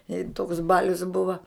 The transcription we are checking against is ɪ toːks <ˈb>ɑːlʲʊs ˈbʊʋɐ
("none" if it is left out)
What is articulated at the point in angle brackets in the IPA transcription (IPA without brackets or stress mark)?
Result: b